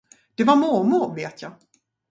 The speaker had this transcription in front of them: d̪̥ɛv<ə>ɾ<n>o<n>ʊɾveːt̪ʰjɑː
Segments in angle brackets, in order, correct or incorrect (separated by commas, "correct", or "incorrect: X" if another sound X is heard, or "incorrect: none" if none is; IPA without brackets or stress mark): incorrect: a, incorrect: m, incorrect: m